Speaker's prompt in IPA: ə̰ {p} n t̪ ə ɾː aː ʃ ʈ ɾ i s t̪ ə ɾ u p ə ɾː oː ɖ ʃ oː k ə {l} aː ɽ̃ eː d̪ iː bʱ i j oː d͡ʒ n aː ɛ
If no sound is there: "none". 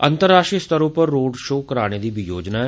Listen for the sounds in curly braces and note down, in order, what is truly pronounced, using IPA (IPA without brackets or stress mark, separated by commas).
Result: none, ɾ